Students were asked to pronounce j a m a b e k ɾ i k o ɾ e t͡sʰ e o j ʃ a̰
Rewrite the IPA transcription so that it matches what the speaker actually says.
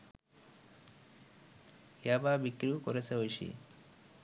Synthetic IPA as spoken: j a b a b i k ɾ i k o ɾ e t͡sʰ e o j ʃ ḭ

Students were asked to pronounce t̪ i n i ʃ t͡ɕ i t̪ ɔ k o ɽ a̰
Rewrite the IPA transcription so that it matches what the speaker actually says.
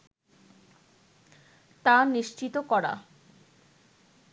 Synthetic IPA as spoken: t̪ a n i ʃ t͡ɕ i t̪ o k ɔ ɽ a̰

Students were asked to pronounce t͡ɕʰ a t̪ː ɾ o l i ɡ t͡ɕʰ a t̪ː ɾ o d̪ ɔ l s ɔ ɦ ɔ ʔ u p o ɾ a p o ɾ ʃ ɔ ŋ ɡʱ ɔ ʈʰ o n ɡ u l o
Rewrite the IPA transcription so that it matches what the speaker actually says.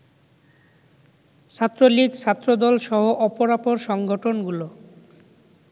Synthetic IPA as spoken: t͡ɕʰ a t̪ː ɾ o l i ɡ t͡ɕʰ a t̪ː ɾ o d̪ ɔ l ʃ ɔ ɦ o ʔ ɔ p o ɾ a p o ɾ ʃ ɔ ŋ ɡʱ o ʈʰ o n ɡ u l o

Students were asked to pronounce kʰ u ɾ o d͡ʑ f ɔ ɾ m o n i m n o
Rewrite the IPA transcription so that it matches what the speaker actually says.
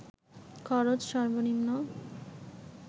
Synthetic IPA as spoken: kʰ ɔ ɾ o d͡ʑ ʃ ɔ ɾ b o n i m n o

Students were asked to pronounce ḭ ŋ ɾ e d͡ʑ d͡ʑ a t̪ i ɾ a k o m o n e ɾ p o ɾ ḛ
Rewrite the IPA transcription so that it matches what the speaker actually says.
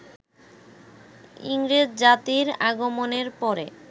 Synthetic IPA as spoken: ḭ ŋ ɾ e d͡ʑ d͡ʑ a t̪ i ɾ a ɡ o m o n e ɾ p ɔ ɾ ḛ

